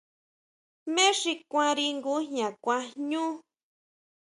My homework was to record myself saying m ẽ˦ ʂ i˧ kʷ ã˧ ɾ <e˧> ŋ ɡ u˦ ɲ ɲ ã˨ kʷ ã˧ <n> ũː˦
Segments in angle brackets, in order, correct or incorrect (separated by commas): incorrect, incorrect